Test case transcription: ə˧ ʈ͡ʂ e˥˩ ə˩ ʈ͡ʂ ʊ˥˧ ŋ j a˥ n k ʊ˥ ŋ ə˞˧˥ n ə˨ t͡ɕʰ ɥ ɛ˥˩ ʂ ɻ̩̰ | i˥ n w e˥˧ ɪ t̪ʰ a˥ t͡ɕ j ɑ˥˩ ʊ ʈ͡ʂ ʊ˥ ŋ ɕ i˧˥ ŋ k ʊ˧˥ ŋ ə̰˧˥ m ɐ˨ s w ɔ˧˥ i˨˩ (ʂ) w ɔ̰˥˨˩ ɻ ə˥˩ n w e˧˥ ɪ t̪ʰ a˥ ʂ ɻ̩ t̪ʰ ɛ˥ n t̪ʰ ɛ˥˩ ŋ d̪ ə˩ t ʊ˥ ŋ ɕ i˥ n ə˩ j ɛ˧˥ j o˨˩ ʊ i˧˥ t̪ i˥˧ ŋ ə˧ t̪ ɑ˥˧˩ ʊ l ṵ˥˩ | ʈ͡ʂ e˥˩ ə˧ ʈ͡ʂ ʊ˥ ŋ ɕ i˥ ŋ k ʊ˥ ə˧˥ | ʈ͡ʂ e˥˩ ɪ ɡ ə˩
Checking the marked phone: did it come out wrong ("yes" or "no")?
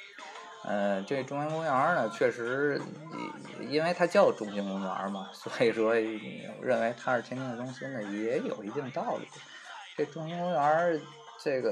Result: no